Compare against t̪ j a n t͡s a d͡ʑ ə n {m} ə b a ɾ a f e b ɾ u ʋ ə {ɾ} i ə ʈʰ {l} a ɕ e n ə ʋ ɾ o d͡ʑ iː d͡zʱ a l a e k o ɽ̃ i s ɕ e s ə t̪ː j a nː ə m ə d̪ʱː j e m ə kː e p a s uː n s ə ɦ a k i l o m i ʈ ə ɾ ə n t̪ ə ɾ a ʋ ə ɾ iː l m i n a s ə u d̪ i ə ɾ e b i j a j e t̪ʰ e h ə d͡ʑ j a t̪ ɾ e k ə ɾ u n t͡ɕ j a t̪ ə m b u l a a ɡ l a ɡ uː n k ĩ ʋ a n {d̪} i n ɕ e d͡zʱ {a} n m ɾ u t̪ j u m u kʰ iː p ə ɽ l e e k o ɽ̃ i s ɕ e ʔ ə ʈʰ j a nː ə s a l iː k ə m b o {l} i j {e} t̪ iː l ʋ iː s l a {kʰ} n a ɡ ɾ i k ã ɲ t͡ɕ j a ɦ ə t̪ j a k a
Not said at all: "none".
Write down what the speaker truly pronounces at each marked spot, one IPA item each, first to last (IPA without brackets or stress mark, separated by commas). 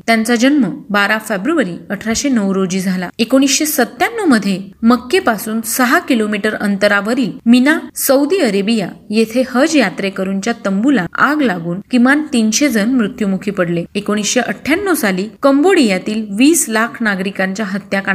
m, ɾ, ɾ, t̪, ə, ɽ, a, kʰ